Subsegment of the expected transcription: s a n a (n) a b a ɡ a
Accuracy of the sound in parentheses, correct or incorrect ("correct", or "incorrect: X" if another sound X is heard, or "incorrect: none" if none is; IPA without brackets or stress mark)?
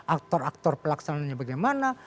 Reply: incorrect: ɲ